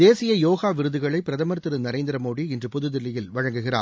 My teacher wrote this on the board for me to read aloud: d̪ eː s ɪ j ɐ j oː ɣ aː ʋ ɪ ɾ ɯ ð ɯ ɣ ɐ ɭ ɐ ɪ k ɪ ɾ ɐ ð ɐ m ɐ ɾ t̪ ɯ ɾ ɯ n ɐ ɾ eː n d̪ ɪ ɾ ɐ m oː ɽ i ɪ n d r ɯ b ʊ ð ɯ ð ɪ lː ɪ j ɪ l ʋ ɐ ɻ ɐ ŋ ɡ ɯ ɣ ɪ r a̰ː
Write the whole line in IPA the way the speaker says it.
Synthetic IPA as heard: d̪ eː s ɪ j ɐ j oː ɣ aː ʋ ɪ ɾ ɯ ð ɯ ɣ ɐ ɭ ɐ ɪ p ɪ ɾ ɐ ð ɐ m ɐ ɾ t̪ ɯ ɾ ɯ n ɐ ɾ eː n d̪ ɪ ɾ ɐ m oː ɽ i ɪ n d r ɯ p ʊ ð ɯ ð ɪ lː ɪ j ɪ l ʋ ɐ ɻ ɐ ŋ ɡ ɯ ɣ ɪ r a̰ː